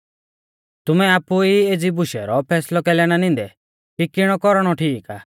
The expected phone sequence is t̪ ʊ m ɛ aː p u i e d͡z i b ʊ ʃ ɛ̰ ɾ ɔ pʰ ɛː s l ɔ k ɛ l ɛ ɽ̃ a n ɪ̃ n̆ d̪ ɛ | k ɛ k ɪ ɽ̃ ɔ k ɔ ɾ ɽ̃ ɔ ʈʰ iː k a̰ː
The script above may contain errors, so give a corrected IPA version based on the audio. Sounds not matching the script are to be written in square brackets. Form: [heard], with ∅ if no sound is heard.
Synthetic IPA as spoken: t̪ ʊ m ɛ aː p u i e d͡z i b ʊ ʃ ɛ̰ ɾ ɔ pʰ ɛː s l ɔ k ɛ l ɛ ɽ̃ a n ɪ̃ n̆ d̪ ɛ | k [i] k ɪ ɽ̃ ɔ k ɔ ɾ ɽ̃ ɔ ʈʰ iː k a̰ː